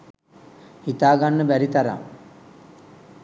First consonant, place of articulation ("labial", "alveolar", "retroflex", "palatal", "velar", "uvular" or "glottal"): glottal